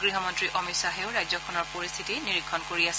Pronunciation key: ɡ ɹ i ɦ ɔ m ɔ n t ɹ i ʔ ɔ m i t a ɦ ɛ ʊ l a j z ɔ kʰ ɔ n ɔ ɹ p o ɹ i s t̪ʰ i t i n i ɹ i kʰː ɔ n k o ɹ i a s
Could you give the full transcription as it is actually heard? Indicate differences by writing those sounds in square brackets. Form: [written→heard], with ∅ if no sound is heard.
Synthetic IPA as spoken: ɡ ɹ i ɦ ɔ m ɔ n t ɹ i ʔ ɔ m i [t→s] a ɦ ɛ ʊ [l→ɹ] a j z ɔ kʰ ɔ n ɔ ɹ p o ɹ i s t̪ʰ i t i n i ɹ i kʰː ɔ n k o ɹ i a s